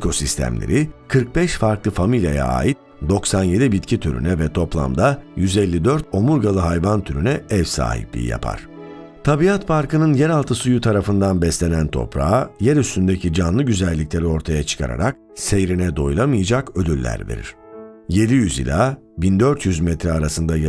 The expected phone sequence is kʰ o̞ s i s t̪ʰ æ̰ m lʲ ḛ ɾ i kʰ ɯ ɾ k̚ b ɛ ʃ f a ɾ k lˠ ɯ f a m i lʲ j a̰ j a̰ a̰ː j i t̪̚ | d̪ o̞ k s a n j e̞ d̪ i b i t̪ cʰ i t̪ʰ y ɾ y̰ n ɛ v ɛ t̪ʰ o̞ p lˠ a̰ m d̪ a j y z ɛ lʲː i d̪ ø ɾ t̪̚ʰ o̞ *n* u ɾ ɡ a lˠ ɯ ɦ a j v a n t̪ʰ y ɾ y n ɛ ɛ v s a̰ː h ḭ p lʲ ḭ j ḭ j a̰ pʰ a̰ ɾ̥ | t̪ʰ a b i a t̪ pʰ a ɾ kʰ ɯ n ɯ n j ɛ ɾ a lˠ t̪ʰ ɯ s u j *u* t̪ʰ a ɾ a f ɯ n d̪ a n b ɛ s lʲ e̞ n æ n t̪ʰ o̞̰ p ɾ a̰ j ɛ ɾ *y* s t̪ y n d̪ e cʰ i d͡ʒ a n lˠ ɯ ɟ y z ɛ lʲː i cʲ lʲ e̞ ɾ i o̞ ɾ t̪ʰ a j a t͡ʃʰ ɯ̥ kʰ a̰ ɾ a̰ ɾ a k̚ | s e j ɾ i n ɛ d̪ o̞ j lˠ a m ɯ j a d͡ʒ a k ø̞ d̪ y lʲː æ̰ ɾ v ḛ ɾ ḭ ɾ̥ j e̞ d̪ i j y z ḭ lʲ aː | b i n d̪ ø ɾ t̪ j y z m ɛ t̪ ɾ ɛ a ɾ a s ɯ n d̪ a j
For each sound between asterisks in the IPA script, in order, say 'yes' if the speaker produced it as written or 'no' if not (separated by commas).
no, yes, yes